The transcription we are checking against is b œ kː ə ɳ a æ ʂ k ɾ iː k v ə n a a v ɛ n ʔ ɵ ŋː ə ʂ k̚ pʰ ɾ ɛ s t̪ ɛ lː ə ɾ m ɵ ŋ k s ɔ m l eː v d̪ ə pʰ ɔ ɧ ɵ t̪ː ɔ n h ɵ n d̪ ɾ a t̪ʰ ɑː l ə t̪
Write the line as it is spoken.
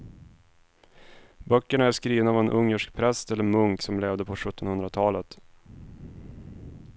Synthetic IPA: b œ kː ə ɳ a æ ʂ k ɾ iː v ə n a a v ɛ n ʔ ɵ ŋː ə ʂ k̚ pʰ ɾ ɛ s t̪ ɛ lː ə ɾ m ɵ ŋ k s ɔ m l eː v d̪ ə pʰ ɔ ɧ ɵ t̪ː ɔ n h ɵ n d̪ ɾ a t̪ʰ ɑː l ə t̪

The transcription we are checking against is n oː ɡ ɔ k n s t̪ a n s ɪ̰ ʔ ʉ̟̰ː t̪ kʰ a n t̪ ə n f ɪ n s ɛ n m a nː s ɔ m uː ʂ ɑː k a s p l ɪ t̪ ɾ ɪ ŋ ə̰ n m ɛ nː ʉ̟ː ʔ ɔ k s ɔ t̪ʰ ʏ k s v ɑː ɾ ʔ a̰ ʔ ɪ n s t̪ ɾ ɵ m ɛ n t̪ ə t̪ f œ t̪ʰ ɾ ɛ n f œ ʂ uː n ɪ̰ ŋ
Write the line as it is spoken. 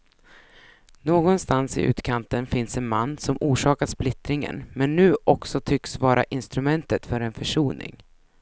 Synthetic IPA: n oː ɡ ɔ n s t̪ a n s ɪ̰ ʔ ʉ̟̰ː t̪ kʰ a n t̪ ə n f ɪ n s ɛ n m a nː s ɔ m uː ʂ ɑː k a s p l ɪ t̪ ɾ ɪ ŋ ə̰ n m ɛ nː ʉ̟ː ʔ ɔ k s ɔ t̪ʰ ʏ k s v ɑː ɾ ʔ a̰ ʔ ɪ n s t̪ ɾ ɵ m ɛ n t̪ ə t̪ f œ ɾ ɛ n f œ ʂ uː n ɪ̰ ŋ

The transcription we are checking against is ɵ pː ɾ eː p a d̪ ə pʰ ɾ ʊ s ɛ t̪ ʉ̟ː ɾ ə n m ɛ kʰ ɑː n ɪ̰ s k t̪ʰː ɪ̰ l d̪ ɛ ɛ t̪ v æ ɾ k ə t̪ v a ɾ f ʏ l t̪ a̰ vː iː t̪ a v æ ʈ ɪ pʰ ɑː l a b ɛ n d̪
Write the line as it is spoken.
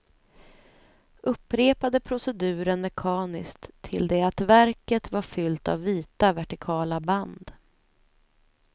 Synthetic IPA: ɵ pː ɾ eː p a d̪ ə pʰ ɾ ʊ s ɛ d̪ ʉ̟ː ɾ ə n m ɛ kʰ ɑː n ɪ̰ s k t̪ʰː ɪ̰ l d̪ ɛ a t̪ v æ ɾ k ə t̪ v a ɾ f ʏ l t̪ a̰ vː iː t̪ a v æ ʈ ɪ kʰ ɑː l a b a n d̪

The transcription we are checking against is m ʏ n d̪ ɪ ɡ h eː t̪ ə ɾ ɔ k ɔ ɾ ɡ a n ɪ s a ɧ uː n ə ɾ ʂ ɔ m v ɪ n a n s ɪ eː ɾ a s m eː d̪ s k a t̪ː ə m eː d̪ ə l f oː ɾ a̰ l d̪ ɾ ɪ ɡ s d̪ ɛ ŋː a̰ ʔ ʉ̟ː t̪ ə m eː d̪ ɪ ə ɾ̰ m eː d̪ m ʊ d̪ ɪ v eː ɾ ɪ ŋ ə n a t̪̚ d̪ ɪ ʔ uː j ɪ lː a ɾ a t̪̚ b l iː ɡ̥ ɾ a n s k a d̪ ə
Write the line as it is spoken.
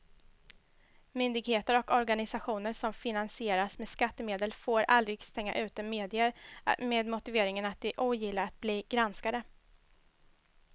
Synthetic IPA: m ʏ n d̪ ɪ ɡ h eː t̪ ə ɾ ɔ k ɔ ɾ ɡ a n ɪ s a ɧ uː n ə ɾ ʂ ɔ m f ɪ n a n s ɪ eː ɾ a s m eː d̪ s k a t̪ː ə m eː d̪ ə l f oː ɾ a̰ l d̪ ɾ ɪ ɡ s t̪ ɛ ŋː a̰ ʔ ʉ̟ː t̪ ə m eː d̪ ɪ ə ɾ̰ m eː d̪ m ʊ t̪ ɪ v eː ɾ ɪ ŋ ə n a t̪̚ d̪ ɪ ʔ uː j ɪ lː a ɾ a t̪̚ b l iː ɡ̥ ɾ a n s k a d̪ ə

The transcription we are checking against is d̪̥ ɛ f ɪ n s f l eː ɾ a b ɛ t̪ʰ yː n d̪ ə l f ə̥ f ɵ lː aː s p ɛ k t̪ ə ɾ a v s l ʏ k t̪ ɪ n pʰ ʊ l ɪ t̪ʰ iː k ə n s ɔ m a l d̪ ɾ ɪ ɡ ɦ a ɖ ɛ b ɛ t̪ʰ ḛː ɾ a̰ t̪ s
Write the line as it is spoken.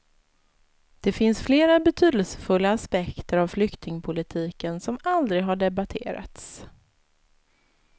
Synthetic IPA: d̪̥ ɛ f ɪ n s f l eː ɾ a b ɛ t̪ʰ yː d̪ ə l s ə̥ f ɵ lː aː s p ɛ k t̪ ə ɾ a v f l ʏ k t̪ ɪ ŋ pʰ ʊ l ɪ t̪ʰ iː k ə n s ɔ m a l d̪ ɾ ɪ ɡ ɦ a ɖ ɛ b a t̪ʰ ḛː ɾ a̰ t̪ s

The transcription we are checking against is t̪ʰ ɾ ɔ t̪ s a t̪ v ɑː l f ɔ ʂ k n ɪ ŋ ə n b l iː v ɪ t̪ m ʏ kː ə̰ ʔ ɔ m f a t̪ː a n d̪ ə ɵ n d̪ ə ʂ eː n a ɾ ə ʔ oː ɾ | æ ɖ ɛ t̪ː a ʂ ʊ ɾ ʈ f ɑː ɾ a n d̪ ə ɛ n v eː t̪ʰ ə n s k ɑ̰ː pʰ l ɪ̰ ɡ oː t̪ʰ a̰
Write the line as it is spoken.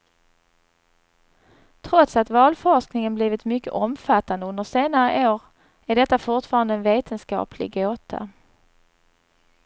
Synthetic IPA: t̪ʰ ɾ ɔ t̪ s a t̪ v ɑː l f ɔ ʂ k n ɪ ŋ ə n b l iː v ɪ t̪ m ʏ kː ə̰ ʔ ɔ m f a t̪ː a n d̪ ə ɵ n d̪ ə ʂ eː n a ɾ ə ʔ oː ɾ | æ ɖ ɛ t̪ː a f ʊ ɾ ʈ f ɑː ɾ a n d̪ ə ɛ n v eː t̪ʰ ə n s k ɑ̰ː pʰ l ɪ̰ ɡ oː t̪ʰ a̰

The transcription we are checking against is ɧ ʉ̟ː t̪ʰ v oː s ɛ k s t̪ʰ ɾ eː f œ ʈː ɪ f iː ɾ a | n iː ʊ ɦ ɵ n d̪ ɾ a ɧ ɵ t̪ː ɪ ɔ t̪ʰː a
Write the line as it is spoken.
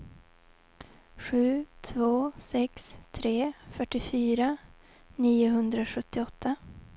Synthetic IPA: ɧ ʉ̟ː t̪ʰ v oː s ɛ k s t̪ʰ ɾ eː f œ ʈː ɪ f yː ɾ a | n iː ʊ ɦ ɵ n d̪ ɾ a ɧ ɵ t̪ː ɪ ɔ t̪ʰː a

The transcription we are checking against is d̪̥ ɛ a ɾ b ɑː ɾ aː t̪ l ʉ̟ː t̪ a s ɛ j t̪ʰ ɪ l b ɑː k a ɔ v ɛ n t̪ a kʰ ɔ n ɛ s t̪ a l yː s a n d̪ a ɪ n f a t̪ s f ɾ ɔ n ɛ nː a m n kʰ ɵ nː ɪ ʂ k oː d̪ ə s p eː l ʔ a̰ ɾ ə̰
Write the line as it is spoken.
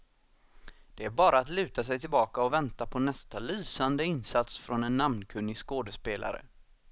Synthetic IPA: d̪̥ ɛ æ ɾ b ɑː ɾ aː t̪ l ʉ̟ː t̪ a s ɛ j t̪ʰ ɪ l b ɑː k a ɔ v ɛ n t̪ a pʰ ɔ n ɛ s t̪ a l yː s a n d̪ ə ɪ n s a t̪ s f ɾ ɔ n ɛ nː a m n kʰ ɵ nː ɪ s k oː d̪ ə s p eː l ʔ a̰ ɾ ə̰

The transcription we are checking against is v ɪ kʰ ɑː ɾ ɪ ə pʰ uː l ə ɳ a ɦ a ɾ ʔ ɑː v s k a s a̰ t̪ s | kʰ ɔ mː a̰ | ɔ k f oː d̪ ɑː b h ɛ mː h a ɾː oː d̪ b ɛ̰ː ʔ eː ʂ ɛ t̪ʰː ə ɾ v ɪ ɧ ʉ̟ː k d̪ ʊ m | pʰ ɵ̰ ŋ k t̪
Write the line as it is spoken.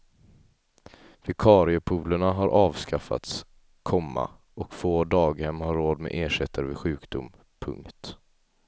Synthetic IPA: v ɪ kʰ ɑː ɾ ɪ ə pʰ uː l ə ɳ a ɦ a ɾ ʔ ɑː v s k a f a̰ t̪ s | kʰ ɔ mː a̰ | ɔ k f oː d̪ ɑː ɡ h ɛ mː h a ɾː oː d̪ m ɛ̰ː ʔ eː ʂ ɛ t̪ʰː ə ɾ v ɪ ɧ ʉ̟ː k d̪ ʊ m | pʰ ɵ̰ ŋ k t̪

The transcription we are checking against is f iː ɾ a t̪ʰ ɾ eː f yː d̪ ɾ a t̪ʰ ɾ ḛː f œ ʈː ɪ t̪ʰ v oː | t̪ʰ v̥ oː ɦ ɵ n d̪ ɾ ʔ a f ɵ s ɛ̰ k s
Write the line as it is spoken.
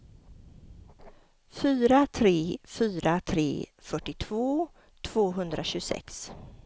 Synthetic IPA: f yː ɾ a t̪ʰ ɾ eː f yː ɾ a t̪ʰ ɾ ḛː f œ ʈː ɪ t̪ʰ v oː | t̪ʰ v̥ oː ɦ ɵ n d̪ ɾ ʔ a ɕ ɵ s ɛ̰ k s

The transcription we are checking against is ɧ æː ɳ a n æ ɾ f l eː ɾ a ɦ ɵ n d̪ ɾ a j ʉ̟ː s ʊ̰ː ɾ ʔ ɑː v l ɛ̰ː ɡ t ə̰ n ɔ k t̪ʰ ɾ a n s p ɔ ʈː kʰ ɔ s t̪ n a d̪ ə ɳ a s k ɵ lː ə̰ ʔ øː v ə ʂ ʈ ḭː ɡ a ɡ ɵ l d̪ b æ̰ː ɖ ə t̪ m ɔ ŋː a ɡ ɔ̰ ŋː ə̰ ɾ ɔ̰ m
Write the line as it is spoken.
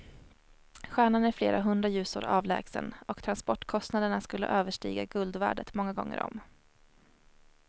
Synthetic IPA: ɧ æː ɳ a n æ ɾ f l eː ɾ a ɦ ɵ n d̪ ɾ a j ʉ̟ː s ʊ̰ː ɾ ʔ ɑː v l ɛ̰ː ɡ s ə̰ n ɔ k t̪ʰ ɾ a n s p ɔ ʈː kʰ ɔ s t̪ n a d̪ ə ɳ a s k ɵ lː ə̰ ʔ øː v ə ʂ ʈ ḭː ɡ a ɡ ɵ l d̪ v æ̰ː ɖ ə t̪ m ɔ ŋː a ɡ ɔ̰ ŋː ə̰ ɾ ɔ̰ m

